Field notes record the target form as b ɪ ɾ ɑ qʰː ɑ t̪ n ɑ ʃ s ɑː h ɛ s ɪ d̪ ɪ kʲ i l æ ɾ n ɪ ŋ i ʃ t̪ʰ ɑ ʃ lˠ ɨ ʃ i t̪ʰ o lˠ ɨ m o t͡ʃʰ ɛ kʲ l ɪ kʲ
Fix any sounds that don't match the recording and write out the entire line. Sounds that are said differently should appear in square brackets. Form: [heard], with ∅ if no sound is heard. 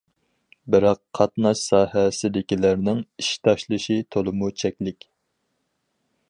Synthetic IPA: b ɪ ɾ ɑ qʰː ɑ t̪ n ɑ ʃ s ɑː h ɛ s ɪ d̪ ɪ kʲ i l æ ɾ n ɪ ŋ i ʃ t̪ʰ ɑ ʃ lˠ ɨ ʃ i t̪ʰ o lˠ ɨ m [u] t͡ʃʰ ɛ kʲ l ɪ kʲ